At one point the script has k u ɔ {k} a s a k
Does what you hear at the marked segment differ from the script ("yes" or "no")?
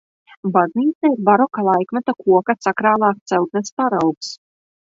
no